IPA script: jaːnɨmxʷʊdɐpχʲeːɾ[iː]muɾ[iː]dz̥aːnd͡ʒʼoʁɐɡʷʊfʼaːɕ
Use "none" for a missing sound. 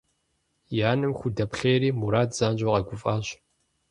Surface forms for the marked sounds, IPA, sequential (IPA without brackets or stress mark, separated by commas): iː, aː